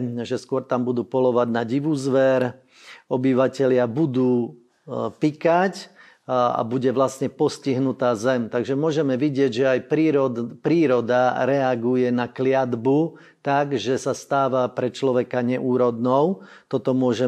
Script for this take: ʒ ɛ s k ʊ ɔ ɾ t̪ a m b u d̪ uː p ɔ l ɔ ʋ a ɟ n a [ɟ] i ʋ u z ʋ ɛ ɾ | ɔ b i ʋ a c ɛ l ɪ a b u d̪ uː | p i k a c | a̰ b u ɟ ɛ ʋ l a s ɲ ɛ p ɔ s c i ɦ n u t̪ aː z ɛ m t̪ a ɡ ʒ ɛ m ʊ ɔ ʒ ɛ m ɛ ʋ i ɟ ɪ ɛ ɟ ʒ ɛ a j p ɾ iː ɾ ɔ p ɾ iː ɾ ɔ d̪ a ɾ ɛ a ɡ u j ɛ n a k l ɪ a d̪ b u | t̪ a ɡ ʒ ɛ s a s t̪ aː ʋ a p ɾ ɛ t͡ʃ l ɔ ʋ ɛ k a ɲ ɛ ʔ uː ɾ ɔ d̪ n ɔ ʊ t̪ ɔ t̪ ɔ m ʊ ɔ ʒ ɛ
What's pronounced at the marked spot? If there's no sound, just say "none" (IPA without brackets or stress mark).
ɟ